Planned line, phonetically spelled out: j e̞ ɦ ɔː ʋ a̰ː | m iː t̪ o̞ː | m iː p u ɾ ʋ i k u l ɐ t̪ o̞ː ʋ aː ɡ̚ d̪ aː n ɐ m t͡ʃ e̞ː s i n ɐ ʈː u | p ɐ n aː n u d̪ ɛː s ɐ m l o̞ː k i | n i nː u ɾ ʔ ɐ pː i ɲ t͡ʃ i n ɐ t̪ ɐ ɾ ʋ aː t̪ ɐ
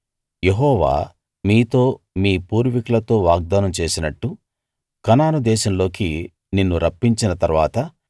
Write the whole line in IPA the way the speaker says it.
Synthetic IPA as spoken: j e̞ ɦ ɔː ʋ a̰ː | m iː t̪ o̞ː | m iː p uː ɾ ʋ i k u l ɐ t̪ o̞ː ʋ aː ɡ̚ d̪ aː n ɐ m t͡ʃ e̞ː s i n ɐ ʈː u | k ɐ n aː n u d̪ ɛː ʃ ɐ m l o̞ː k i | n i nː u ɾ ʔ ɐ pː i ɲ t͡ʃ i n ɐ t̪ ɐ ɾ ʋ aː t̪ ɐ

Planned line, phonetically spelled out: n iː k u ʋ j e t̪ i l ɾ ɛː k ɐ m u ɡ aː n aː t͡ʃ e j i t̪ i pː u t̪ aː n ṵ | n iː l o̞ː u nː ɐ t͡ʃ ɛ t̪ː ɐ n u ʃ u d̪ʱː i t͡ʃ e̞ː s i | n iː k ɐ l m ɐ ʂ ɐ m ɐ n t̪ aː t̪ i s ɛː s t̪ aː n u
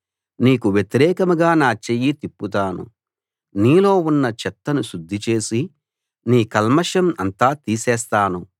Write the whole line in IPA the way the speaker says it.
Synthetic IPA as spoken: n iː k u ʋ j e t̪ i ɾ ɛː k ɐ m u ɡ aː n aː t͡ʃ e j i t̪ i pː u t̪ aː n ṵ | n iː l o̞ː u nː ɐ t͡ʃ ɛ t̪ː ɐ n u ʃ u d̪ʱː i t͡ʃ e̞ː s i | n iː k ɐ l m ɐ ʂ ɐ m ɐ n t̪ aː t̪ iː s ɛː s t̪ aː n u

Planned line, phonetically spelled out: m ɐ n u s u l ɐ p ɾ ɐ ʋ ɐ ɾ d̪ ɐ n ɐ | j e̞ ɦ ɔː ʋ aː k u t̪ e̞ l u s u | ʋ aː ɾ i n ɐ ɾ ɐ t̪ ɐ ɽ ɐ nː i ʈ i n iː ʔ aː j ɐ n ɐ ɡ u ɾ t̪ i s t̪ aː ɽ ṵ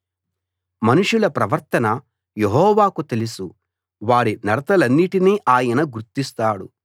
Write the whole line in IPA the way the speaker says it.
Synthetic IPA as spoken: m ɐ n u ʂ u l ɐ p ɾ ɐ ʋ ɐ ɾ t̪ ɐ n ɐ | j e̞ ɦ ɔː ʋ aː k u t̪ e̞ l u s u | ʋ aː ɾ i n ɐ ɾ ɐ t̪ ɐ l ɐ nː i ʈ i n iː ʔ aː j ɐ n ɐ ɡ u ɾ t̪ i s t̪ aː ɽ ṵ

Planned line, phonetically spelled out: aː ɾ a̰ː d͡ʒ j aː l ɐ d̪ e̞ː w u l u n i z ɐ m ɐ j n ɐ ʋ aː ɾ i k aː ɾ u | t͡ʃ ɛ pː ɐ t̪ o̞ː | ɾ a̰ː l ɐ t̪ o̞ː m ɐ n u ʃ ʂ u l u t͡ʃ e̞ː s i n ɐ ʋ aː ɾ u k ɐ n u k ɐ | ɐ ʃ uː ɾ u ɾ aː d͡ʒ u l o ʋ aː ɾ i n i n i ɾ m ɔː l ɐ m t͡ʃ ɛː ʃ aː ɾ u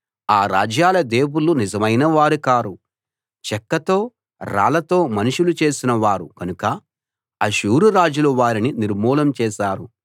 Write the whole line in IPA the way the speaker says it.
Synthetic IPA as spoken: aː ɾ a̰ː d͡ʒ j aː l ɐ d̪ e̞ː w u l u n i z ɐ m ɐ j n ɐ ʋ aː ɾ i k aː ɾ u | t͡ʃ ɛ kː ɐ t̪ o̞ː | ɾ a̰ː l ɐ t̪ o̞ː m ɐ n u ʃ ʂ u l u t͡ʃ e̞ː s i n ɐ ʋ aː ɾ u k ɐ n u k ɐ | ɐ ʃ uː ɾ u ɾ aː d͡ʒ u l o ʋ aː ɾ i n i n i ɾ m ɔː l ɐ m t͡ʃ ɛː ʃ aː ɾ u

